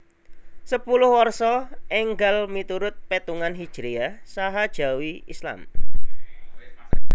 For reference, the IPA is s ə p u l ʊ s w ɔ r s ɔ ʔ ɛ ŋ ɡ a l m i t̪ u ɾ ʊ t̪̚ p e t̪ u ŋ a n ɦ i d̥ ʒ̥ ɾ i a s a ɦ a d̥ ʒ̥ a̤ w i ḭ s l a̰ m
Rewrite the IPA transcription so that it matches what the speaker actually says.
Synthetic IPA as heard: s ə p u l ʊ h w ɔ r s ɔ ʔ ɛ ŋ ɡ a l m i t̪ u ɾ ʊ t̪̚ p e t̪ u ŋ a n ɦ i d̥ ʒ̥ ɾ i a s a ɦ a d̥ ʒ̥ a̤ w i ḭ s l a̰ m